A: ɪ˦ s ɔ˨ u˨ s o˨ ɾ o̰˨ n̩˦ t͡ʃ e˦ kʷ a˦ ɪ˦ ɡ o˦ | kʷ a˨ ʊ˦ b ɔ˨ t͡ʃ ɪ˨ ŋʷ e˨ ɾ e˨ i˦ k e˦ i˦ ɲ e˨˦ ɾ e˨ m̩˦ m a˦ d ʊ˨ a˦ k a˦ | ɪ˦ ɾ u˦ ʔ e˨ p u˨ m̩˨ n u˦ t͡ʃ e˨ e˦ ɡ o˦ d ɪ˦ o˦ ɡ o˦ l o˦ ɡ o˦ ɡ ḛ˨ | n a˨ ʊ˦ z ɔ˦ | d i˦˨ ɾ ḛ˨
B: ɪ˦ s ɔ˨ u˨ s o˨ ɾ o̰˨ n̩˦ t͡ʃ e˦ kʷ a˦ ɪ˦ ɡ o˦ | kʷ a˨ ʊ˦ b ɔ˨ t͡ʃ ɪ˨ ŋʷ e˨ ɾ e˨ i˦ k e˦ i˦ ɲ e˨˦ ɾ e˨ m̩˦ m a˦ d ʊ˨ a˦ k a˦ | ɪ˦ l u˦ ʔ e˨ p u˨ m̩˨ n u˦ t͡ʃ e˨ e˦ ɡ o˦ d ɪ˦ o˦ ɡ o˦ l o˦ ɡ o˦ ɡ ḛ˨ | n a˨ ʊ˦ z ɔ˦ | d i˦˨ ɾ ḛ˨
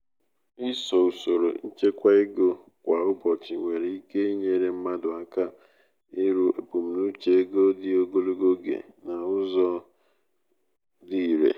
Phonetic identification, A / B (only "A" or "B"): A